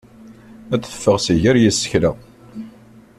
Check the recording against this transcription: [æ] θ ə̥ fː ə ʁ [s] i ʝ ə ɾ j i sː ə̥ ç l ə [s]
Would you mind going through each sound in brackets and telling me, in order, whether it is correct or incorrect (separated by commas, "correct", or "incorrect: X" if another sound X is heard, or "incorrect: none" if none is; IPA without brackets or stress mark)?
correct, correct, incorrect: none